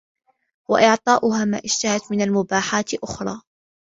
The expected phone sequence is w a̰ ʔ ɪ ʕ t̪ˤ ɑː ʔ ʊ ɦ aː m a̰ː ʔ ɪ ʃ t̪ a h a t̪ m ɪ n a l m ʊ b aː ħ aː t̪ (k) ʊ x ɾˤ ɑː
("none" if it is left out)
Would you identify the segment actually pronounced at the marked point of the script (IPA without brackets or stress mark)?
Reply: ʔ